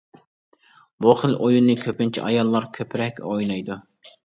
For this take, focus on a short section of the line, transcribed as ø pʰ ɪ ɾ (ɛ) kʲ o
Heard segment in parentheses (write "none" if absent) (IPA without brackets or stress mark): ɛ